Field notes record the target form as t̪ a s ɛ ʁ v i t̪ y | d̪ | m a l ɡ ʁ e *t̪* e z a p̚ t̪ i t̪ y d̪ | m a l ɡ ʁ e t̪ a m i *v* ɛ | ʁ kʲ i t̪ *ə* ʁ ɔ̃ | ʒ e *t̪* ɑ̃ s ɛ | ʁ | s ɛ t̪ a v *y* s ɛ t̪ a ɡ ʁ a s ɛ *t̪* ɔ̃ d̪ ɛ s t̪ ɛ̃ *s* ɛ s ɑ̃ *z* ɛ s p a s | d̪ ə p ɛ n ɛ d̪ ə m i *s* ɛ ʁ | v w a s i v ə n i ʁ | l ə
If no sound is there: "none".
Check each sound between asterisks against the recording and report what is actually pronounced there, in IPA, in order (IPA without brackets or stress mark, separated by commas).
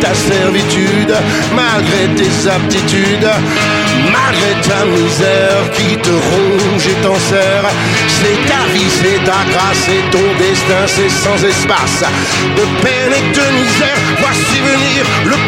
t̪, z, ə, t̪, i, t̪, s, z, z